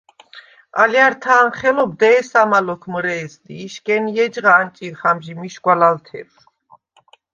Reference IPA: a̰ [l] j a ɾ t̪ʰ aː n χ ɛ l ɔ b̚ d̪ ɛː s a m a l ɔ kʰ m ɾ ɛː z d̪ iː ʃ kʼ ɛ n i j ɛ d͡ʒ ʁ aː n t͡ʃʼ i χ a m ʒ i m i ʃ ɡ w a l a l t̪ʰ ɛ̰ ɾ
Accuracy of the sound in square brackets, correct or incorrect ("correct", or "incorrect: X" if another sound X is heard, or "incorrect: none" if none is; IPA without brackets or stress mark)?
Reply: correct